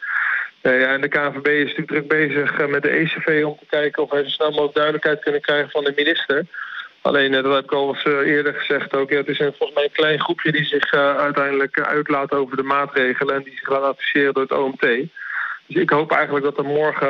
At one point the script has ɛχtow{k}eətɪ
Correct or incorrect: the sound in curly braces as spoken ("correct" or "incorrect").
correct